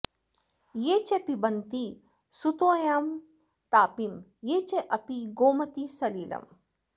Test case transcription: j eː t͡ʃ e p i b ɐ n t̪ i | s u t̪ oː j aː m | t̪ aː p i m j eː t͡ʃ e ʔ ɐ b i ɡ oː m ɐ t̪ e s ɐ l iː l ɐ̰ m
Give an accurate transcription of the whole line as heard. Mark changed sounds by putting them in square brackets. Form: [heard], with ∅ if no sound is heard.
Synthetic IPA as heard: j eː t͡ʃ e p i b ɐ n t̪ i | s u t̪ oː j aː m | t̪ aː p i m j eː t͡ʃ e ʔ ɐ [p] i ɡ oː m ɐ t̪ [i] s ɐ l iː l ɐ̰ m